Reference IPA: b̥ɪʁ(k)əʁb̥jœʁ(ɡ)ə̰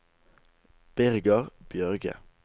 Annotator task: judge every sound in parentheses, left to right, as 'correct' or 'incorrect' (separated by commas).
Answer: incorrect, correct